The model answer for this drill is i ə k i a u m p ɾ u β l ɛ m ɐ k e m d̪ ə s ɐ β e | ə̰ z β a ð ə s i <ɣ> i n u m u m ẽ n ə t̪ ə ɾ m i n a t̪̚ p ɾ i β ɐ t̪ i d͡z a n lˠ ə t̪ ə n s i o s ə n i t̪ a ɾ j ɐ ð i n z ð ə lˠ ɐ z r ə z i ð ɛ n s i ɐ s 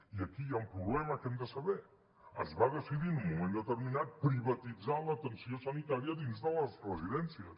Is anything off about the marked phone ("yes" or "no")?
yes